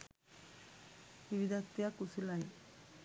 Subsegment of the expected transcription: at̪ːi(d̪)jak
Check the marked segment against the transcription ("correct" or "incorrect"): incorrect